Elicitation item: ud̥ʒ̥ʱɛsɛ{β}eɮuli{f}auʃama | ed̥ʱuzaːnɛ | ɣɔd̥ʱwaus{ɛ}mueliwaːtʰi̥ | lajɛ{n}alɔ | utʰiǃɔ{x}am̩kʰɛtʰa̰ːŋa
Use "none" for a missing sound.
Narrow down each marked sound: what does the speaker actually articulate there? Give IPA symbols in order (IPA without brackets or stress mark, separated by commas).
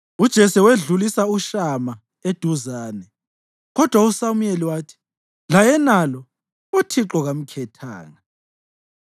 w, s, a, n, ɣ